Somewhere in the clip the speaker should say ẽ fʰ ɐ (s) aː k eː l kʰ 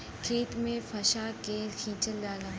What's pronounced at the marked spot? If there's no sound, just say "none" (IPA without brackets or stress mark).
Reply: ʃ